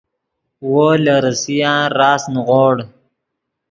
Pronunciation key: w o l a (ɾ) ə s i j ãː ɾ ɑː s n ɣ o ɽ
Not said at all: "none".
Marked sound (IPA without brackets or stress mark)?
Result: ɾ